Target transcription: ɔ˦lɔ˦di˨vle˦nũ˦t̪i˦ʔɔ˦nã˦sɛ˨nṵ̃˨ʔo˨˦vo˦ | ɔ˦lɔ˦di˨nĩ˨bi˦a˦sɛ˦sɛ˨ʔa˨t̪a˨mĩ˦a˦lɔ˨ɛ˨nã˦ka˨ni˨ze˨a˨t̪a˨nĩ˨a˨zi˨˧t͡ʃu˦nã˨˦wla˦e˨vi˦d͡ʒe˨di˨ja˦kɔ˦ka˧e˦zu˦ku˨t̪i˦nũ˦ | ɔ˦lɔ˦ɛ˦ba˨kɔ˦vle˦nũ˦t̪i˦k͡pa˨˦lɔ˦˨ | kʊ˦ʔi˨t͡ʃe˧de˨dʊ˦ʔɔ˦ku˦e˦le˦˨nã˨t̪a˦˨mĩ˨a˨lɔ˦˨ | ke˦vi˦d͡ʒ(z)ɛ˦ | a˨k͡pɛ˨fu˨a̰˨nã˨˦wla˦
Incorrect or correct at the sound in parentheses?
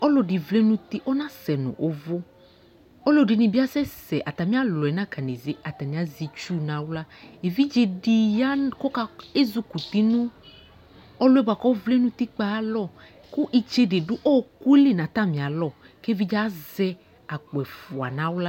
correct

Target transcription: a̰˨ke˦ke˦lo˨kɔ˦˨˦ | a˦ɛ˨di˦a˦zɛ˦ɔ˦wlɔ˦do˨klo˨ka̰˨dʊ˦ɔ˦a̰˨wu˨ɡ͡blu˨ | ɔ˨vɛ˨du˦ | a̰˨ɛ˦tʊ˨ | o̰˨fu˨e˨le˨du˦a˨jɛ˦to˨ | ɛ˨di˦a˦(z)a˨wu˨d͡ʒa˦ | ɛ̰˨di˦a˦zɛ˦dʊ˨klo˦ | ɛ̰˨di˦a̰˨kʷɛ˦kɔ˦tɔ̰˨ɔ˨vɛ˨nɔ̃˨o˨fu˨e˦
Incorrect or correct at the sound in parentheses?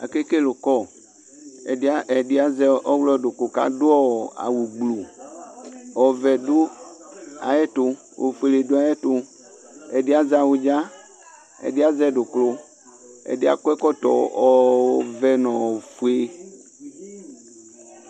correct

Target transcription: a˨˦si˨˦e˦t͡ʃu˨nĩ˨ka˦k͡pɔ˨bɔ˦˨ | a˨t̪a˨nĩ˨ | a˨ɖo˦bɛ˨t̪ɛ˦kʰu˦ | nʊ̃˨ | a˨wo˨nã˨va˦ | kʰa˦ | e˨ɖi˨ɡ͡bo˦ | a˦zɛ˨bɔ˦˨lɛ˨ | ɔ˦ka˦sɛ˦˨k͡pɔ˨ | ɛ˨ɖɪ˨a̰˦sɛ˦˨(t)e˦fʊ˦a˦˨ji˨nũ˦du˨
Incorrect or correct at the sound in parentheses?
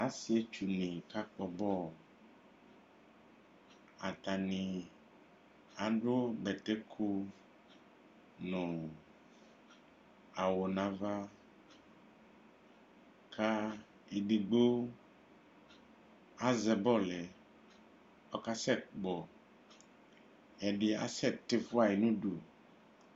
correct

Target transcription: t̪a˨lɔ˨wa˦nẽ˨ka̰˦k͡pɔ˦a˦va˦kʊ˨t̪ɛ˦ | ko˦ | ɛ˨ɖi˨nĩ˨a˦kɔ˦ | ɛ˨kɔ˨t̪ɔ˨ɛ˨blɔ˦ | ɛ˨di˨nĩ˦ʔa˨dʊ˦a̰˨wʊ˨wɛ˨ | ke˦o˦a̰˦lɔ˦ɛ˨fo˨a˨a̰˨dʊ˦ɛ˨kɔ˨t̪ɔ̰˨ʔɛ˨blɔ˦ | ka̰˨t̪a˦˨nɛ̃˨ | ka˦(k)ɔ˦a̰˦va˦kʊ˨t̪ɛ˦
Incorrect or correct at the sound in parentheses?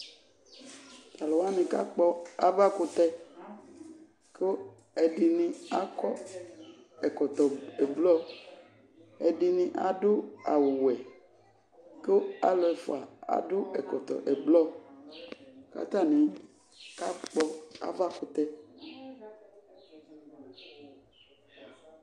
incorrect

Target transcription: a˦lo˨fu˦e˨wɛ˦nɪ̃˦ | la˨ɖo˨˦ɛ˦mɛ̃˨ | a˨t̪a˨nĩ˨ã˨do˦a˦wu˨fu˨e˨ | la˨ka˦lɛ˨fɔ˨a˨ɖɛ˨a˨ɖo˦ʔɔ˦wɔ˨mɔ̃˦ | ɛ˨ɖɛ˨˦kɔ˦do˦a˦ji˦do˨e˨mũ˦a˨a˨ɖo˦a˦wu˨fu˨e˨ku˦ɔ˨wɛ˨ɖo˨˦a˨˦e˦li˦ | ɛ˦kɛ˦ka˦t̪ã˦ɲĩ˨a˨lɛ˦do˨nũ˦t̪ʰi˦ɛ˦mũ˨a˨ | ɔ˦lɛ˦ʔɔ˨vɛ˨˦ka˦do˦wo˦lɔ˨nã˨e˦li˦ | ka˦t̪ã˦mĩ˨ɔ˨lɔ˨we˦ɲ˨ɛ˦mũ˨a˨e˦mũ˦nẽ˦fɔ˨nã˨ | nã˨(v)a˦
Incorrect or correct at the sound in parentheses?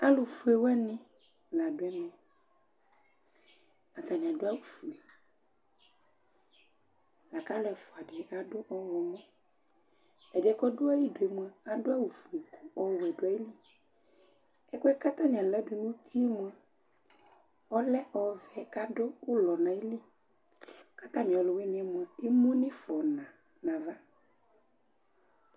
correct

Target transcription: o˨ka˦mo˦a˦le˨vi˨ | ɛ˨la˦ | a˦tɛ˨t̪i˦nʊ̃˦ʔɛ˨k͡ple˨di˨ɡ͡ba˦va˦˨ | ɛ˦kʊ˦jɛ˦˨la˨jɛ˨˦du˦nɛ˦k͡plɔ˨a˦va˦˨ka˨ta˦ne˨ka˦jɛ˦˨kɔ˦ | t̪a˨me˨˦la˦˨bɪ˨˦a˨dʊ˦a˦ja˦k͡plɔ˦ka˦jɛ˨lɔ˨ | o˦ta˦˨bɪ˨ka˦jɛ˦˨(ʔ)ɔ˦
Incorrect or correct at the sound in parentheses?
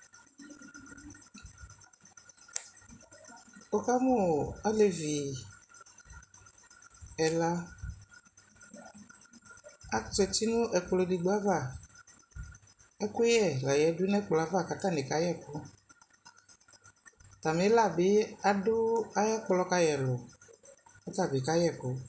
incorrect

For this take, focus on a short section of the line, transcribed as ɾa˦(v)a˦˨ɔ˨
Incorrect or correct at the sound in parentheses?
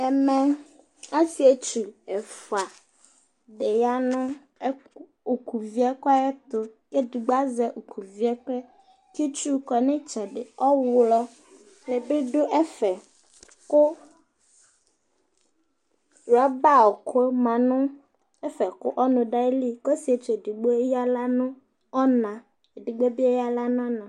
incorrect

